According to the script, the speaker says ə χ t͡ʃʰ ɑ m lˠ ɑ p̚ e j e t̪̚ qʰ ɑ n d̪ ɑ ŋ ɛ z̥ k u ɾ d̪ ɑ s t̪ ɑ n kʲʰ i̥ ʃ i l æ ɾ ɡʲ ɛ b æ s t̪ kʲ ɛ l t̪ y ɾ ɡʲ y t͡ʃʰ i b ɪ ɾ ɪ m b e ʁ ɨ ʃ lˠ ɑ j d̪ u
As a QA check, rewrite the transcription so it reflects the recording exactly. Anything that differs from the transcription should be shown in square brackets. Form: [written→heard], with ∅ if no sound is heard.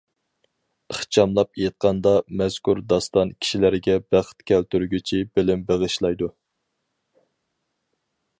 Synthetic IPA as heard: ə χ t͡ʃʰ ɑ m lˠ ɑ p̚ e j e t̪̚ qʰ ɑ n d̪ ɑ [ŋ→m] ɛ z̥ k u ɾ d̪ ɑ s t̪ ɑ n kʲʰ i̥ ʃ i l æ ɾ ɡʲ ɛ b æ [s→χ] t̪ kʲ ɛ l t̪ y ɾ ɡʲ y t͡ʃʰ i b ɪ [ɾ→l] ɪ m b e ʁ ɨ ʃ lˠ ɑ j d̪ u